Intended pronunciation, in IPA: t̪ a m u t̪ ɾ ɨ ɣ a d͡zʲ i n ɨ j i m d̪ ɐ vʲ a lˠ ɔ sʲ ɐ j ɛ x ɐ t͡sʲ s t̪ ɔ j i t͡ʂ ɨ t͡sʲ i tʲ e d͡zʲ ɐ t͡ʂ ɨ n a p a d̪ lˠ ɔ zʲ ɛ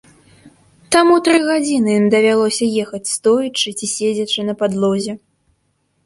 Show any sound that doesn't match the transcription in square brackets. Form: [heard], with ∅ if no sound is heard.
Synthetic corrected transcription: t̪ a m u t̪ ɾ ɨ ɣ a d͡zʲ i n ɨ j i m d̪ ɐ vʲ a lˠ ɔ sʲ ɐ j ɛ x ɐ t͡sʲ s t̪ ɔ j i t͡ʂ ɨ t͡sʲ i [sʲ] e d͡zʲ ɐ t͡ʂ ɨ n [ɐ] p a d̪ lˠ ɔ zʲ ɛ